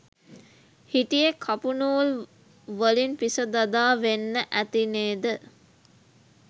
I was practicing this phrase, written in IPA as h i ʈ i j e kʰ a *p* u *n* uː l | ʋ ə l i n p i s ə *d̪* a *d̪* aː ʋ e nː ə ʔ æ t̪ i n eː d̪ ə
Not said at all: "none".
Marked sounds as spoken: p, n, d̪, d̪

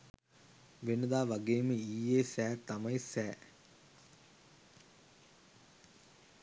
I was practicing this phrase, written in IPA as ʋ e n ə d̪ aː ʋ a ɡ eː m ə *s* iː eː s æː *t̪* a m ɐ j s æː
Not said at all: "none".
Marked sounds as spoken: none, t̪

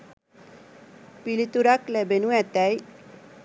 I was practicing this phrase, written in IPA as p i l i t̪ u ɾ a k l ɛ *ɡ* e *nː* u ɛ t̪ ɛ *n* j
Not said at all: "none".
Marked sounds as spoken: b, n, none

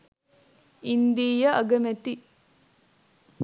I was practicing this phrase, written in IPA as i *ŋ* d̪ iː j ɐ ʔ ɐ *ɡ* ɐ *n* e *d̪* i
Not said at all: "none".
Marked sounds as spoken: n, ɡ, m, t̪

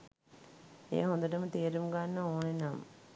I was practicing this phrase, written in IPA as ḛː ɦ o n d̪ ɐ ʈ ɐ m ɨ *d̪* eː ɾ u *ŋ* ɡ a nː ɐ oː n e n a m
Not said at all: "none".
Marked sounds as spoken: t̪, m

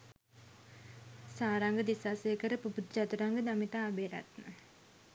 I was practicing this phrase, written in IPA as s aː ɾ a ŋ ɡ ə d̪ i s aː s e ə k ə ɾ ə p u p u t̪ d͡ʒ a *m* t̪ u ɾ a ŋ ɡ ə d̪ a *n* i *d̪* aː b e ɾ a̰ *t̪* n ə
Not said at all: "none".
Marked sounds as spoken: none, m, t̪, t̪

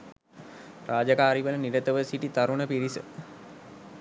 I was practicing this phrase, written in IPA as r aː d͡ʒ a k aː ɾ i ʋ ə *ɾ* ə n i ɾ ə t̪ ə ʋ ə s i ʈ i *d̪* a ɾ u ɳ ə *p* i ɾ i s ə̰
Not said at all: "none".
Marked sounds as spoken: l, t̪, p

